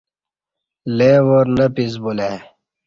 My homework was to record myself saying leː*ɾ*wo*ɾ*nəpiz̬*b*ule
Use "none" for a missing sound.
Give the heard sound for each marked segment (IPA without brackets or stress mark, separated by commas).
none, ɾ, b